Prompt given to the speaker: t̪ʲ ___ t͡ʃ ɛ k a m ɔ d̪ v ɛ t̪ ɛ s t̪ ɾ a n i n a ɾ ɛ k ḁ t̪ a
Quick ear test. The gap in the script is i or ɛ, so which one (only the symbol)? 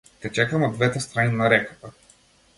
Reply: ɛ